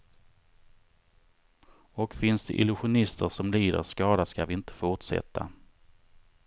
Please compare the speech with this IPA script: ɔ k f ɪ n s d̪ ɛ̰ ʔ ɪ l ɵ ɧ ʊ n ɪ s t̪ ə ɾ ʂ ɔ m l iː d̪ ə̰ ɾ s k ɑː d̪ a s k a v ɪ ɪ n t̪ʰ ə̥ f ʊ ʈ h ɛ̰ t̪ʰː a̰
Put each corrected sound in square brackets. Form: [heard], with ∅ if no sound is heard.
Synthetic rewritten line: ɔ k f ɪ n s d̪ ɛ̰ ʔ ɪ l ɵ ɧ ʊ n ɪ s t̪ ə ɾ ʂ ɔ m l iː d̪ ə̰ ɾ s k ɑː d̪ a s k a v ɪ ɪ n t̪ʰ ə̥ f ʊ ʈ [ʂ] ɛ̰ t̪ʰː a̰